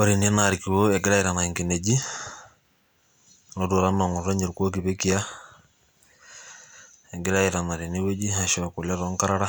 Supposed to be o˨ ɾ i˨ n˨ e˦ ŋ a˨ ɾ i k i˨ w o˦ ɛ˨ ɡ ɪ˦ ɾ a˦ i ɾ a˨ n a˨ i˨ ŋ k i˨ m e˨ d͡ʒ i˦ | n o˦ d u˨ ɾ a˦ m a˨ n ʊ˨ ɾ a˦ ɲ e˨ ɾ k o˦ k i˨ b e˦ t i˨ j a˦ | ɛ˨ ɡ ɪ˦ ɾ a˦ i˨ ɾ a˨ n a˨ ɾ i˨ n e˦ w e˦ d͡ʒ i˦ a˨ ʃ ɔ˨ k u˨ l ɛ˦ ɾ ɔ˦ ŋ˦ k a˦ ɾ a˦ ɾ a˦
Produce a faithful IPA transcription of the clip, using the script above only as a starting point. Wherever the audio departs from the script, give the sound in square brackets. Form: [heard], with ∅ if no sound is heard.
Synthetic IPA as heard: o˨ ɾ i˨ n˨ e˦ [n] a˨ ɾ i k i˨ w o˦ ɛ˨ ɡ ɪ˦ ɾ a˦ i ɾ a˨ n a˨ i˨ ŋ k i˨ [n] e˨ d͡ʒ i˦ | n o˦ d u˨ ɾ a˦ m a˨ [ŋ] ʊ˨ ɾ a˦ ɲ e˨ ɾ k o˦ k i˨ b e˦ [k] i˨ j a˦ | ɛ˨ ɡ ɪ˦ ɾ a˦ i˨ ɾ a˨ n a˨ ɾ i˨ n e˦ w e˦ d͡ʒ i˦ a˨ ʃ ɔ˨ k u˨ l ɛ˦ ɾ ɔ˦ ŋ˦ k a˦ ɾ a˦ ɾ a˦